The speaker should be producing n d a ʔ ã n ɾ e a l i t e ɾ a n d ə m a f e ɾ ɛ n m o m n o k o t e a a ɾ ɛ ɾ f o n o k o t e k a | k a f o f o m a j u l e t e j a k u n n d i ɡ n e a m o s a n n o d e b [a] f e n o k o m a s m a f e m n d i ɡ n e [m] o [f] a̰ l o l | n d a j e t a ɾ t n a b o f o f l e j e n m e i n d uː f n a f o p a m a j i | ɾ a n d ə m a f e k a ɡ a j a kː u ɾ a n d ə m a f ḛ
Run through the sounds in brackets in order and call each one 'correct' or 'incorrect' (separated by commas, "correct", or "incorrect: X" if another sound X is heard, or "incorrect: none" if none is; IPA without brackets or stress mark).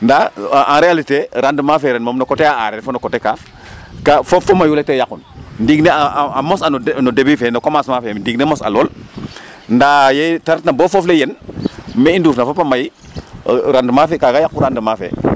incorrect: i, correct, incorrect: s